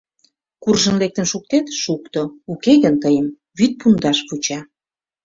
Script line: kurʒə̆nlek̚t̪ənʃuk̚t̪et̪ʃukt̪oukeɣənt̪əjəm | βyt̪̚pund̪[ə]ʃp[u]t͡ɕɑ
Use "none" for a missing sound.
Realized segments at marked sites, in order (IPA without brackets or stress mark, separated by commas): ɑ, u